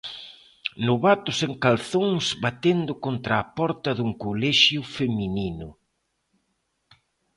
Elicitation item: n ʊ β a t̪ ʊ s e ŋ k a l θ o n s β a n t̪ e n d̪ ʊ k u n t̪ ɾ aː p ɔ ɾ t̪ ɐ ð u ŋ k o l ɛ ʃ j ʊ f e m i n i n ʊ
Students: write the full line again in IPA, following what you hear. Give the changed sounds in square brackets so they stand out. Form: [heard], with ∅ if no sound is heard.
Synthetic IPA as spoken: n ʊ β a t̪ ʊ s e ŋ k a l θ o [ŋ] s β a [∅] t̪ e n d̪ ʊ k [o] n t̪ ɾ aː p ɔ ɾ t̪ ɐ ð u ŋ k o l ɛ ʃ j ʊ f e m i n i n ʊ